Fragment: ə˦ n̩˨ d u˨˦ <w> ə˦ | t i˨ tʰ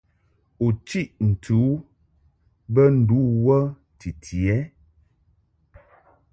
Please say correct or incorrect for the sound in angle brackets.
correct